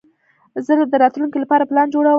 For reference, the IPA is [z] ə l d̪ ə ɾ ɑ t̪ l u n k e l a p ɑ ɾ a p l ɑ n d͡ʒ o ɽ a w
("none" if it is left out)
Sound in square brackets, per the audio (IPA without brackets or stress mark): z